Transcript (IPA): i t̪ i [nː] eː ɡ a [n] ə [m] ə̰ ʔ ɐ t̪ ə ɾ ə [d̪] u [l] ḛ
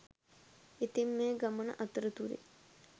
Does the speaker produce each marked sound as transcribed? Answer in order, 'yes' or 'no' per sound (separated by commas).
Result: no, no, no, no, no